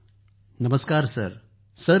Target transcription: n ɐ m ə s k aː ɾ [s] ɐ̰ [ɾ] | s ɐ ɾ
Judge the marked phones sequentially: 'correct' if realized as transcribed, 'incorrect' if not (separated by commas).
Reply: correct, correct